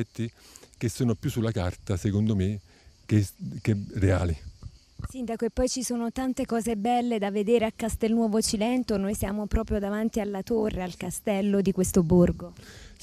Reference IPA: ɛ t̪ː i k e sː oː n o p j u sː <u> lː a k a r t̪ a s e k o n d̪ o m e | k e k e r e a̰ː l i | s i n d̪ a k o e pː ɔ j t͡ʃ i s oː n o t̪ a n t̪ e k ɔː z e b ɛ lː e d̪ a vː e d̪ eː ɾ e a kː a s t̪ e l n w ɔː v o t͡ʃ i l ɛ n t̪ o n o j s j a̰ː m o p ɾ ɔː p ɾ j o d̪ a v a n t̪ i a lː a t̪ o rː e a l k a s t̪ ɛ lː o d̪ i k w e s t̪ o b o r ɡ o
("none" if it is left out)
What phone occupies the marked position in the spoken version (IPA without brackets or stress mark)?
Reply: u